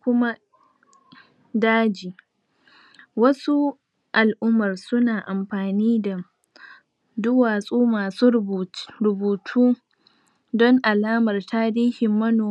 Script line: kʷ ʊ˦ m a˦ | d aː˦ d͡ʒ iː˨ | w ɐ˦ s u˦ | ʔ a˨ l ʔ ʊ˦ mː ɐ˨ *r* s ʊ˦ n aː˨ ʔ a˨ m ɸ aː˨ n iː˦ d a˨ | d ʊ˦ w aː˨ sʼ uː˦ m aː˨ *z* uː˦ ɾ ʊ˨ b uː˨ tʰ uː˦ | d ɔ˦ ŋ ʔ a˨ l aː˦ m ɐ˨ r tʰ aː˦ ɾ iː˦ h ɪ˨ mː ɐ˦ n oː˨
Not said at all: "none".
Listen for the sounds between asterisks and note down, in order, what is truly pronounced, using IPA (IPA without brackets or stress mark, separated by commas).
r, s